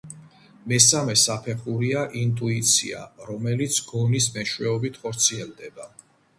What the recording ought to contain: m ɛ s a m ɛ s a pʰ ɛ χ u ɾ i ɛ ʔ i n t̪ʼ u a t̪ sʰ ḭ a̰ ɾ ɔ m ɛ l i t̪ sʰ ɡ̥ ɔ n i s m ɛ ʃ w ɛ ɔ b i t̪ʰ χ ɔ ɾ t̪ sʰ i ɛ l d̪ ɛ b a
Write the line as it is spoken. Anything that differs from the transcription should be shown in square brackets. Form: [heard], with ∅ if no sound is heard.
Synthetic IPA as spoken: m ɛ s a m ɛ s a pʰ ɛ χ u ɾ i [a] ʔ i n t̪ʼ u [i] t̪ sʰ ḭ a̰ ɾ ɔ m ɛ l i t̪ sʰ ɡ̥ ɔ n i s m ɛ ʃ w ɛ ɔ b i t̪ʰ χ ɔ ɾ t̪ sʰ i ɛ l d̪ ɛ b a